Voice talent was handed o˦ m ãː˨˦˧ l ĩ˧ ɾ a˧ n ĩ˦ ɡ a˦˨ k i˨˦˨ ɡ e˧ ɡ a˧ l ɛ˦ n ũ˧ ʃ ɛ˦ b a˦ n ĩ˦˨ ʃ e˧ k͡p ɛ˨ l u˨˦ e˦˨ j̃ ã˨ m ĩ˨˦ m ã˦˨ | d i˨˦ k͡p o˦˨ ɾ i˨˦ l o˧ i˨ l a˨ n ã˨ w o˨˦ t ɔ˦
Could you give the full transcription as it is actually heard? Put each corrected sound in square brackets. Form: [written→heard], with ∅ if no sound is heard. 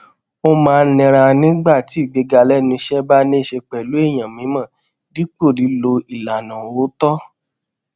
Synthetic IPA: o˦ m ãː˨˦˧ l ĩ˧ ɾ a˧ n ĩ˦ [ɡ→ɡ͡b] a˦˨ [k→t] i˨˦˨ [ɡ→ɡ͡b] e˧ ɡ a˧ l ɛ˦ n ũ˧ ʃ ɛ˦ b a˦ n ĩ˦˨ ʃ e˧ k͡p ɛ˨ l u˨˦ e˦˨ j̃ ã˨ m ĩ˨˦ m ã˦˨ | d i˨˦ k͡p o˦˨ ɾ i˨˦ l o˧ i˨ l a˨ n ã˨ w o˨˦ t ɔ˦